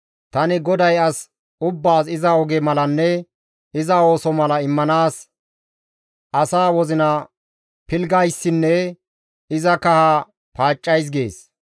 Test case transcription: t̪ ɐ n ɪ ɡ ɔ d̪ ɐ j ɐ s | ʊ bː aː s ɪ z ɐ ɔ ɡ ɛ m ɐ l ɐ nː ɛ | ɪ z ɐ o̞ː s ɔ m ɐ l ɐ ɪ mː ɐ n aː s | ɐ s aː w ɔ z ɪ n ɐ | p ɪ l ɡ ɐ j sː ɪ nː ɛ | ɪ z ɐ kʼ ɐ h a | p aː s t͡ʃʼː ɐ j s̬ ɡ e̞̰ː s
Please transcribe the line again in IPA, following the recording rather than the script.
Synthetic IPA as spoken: t̪ ɐ n ɪ ɡ ɔ d̪ ɐ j ɐ s | ʊ bː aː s ɪ z ɐ ɔ ɡ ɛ m ɐ l ɐ nː ɛ | ɪ z ɐ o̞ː s ɔ m ɐ l ɐ ɪ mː ɐ n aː s | ɐ s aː w ɔ z ɪ n ɐ | p ɪ l ɡ ɐ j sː ɪ nː ɛ | ɪ z ɐ k ɐ h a | p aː t͡ʃʼː ɐ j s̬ ɡ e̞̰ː s